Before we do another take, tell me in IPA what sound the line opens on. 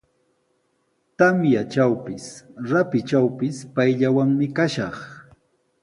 t̪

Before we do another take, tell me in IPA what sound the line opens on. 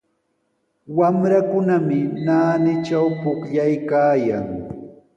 w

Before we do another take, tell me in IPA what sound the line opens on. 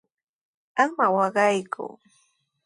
a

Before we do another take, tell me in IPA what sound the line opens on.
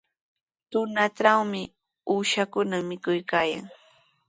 t̪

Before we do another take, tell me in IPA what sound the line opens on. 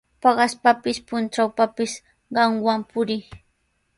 p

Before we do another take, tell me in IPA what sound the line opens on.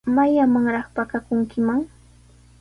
m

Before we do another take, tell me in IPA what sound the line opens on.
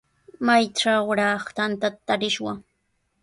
m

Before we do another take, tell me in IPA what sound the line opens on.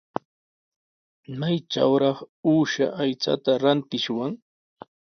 m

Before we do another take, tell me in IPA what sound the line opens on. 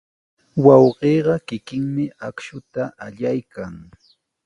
w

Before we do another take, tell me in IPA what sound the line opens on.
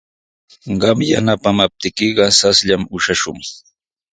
ɢ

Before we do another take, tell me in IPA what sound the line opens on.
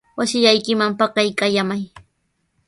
w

